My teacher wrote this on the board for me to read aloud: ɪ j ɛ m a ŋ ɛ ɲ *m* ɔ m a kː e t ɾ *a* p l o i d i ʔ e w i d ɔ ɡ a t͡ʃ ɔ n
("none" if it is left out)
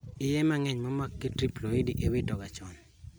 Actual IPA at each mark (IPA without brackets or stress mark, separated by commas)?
m, i